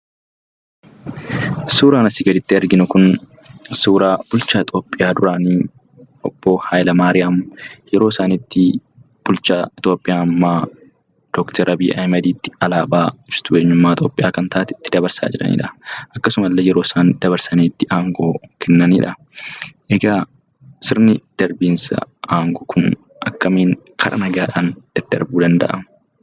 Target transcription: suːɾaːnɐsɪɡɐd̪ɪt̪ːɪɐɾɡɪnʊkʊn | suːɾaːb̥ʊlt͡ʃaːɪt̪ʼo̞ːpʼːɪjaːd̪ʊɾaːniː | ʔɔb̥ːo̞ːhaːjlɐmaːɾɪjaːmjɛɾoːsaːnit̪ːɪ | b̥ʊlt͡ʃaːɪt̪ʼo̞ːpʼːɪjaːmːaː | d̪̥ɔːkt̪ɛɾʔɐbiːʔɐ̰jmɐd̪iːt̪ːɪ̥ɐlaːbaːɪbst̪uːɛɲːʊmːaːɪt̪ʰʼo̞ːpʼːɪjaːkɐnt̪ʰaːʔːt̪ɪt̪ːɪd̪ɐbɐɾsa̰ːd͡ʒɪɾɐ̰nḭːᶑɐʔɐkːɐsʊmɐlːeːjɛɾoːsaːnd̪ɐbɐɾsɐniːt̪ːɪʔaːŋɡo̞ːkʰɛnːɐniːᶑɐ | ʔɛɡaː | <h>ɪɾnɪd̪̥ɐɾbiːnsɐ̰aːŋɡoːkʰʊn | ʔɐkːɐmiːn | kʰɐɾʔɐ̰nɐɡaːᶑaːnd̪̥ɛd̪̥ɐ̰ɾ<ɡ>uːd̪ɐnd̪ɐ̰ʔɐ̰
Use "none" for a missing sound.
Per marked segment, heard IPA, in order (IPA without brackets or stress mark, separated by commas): s, b